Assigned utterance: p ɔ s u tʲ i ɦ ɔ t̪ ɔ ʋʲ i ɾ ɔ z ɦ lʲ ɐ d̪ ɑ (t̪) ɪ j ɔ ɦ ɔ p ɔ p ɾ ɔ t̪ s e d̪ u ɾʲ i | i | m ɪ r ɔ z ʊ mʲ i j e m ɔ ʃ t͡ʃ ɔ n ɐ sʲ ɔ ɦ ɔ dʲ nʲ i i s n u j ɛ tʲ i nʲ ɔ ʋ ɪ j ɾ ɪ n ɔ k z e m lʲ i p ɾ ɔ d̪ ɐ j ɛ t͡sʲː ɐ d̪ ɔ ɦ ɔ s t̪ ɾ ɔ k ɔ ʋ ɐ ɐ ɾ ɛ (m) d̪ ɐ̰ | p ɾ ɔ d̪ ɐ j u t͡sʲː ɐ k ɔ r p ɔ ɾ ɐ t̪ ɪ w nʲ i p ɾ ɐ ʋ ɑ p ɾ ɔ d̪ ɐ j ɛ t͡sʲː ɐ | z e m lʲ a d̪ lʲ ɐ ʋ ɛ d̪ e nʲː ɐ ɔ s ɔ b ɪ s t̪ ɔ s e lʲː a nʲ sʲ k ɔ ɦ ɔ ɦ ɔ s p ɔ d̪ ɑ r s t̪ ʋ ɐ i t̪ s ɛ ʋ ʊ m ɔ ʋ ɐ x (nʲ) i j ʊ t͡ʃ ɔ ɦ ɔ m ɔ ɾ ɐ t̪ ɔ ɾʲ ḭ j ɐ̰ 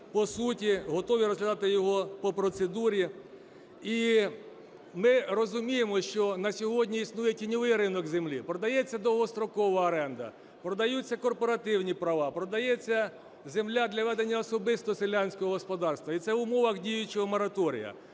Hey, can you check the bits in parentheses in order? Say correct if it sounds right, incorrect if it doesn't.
correct, incorrect: n, incorrect: dʲ

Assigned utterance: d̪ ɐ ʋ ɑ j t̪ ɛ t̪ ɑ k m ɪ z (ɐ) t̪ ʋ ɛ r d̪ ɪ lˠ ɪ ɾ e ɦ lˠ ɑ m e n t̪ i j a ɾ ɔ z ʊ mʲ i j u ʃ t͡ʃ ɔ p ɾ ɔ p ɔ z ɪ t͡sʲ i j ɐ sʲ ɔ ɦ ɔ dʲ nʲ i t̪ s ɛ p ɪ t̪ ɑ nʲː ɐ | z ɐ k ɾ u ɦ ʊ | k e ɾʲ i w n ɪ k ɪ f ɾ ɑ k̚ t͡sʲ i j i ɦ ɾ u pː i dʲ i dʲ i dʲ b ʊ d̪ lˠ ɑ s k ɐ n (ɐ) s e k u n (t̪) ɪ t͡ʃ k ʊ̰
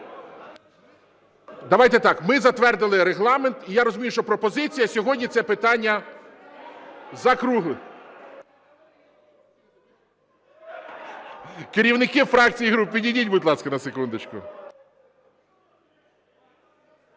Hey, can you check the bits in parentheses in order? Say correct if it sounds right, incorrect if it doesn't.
correct, correct, incorrect: d̪

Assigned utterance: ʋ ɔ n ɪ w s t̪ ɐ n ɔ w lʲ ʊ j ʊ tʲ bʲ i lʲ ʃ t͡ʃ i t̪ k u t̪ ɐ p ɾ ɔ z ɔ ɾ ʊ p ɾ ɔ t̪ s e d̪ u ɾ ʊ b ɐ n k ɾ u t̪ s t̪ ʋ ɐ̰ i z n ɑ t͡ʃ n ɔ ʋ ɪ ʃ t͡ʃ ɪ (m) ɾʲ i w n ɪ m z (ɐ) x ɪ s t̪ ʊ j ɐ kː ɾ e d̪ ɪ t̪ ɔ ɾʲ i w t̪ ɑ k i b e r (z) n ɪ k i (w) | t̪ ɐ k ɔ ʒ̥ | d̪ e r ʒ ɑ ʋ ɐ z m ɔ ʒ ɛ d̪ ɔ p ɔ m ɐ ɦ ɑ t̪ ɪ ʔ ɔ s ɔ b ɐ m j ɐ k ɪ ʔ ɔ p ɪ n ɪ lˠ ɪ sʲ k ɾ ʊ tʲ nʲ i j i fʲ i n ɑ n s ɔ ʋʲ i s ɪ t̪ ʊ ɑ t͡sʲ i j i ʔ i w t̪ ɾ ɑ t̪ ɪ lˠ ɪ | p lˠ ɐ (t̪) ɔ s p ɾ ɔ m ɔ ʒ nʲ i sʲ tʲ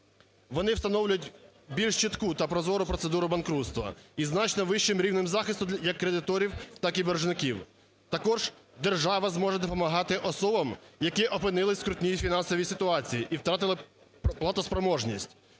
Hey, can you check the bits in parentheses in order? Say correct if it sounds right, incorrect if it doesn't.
correct, incorrect: ɑ, incorrect: ʒ, correct, correct

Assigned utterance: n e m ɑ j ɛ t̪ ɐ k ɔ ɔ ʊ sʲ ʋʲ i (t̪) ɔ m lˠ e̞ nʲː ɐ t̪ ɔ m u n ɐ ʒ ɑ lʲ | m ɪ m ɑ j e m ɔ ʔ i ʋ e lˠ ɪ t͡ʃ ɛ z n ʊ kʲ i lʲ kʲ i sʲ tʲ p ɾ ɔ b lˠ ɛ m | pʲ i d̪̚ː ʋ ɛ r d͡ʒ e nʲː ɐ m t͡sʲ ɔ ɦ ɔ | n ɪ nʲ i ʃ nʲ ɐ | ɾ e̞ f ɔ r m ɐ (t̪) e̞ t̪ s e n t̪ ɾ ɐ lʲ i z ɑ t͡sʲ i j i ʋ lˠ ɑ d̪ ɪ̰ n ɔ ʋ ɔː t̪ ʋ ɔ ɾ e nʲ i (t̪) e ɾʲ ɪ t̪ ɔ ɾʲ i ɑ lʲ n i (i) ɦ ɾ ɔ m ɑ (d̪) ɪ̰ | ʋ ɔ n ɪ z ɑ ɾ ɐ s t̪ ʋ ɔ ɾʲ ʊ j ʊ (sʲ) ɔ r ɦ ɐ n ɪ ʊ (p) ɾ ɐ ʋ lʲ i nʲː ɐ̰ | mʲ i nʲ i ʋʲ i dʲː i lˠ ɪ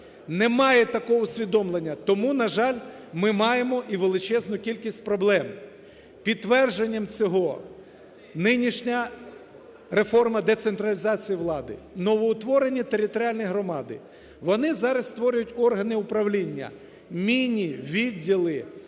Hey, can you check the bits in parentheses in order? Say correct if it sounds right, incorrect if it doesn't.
incorrect: d̪, incorrect: d̪, correct, incorrect: j, correct, incorrect: tʲ, correct

